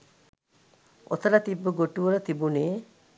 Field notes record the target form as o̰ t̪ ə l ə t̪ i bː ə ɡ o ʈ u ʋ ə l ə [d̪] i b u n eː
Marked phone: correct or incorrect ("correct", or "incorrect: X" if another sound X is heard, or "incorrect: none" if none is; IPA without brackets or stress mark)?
incorrect: t̪